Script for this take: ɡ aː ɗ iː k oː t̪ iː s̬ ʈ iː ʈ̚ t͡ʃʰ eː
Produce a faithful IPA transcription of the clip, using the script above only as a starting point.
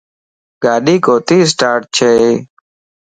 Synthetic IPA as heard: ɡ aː ɗ iː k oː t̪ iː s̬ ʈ aː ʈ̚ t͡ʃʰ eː